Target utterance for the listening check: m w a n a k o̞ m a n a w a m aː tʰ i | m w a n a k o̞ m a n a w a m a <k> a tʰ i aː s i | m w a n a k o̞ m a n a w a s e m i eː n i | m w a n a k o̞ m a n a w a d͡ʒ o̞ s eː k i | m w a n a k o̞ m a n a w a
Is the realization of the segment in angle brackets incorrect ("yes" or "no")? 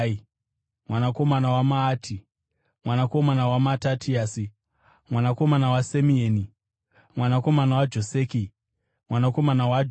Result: yes